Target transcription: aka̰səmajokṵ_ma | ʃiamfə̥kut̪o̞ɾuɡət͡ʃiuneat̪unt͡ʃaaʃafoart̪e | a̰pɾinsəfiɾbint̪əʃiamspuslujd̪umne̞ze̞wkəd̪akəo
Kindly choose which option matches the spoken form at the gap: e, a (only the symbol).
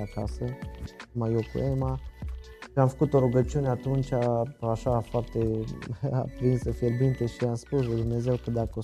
e